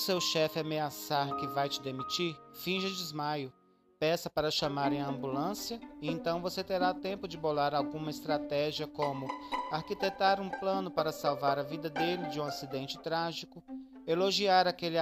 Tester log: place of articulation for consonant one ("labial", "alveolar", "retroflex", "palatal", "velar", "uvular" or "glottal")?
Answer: alveolar